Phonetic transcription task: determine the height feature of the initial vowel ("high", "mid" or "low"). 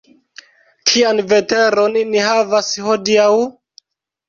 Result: high